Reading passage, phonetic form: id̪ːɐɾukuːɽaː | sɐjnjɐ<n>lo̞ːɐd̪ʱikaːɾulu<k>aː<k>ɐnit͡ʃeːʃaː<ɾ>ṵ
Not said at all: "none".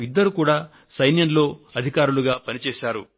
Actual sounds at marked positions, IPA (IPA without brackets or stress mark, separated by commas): n, ɡ, p, ɾ